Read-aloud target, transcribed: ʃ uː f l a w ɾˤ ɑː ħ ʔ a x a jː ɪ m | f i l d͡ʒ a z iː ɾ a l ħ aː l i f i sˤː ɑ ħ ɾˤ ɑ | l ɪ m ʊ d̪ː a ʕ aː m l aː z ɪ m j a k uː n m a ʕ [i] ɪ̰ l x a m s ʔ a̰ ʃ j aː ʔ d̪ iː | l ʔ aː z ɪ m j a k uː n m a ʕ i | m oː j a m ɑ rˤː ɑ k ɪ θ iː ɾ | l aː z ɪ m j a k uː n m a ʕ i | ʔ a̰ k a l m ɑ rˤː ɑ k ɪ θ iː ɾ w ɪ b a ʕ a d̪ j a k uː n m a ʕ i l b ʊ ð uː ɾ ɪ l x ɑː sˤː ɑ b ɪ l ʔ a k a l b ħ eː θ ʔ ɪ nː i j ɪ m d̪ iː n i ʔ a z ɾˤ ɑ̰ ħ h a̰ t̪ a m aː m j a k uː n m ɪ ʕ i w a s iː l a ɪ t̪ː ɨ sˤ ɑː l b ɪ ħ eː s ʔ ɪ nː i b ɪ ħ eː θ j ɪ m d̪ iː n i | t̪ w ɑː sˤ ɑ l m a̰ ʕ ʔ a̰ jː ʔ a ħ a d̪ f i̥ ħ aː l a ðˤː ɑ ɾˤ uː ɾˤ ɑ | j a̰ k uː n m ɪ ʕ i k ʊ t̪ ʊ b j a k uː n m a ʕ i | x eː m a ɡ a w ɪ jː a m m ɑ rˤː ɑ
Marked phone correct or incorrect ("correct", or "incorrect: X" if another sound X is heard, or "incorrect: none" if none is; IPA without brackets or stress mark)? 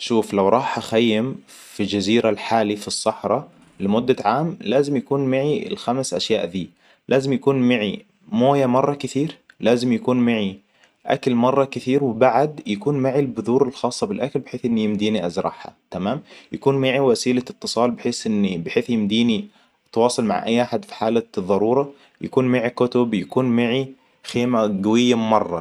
correct